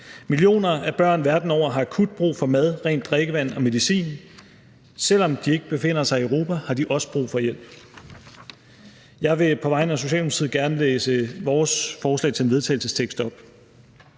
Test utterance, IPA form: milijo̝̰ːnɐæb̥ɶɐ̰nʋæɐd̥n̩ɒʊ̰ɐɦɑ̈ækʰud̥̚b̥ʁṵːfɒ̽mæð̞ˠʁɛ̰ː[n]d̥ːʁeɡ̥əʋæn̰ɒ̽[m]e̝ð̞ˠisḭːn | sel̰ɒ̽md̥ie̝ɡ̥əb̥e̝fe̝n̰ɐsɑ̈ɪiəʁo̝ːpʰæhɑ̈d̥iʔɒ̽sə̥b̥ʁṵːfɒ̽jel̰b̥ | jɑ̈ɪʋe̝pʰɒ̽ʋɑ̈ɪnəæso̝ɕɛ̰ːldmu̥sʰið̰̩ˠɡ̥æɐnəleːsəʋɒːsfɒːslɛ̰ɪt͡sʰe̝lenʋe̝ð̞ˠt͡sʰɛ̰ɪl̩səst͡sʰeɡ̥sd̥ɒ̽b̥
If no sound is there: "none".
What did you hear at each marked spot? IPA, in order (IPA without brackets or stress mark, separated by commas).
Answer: n, m